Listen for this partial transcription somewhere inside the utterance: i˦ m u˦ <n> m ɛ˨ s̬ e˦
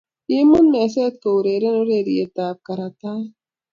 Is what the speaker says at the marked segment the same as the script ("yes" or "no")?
yes